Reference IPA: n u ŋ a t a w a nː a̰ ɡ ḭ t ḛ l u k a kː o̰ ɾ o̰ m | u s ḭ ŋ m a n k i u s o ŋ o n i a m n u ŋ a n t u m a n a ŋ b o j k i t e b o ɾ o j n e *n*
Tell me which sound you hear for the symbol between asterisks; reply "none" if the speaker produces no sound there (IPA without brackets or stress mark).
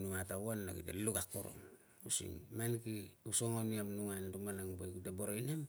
m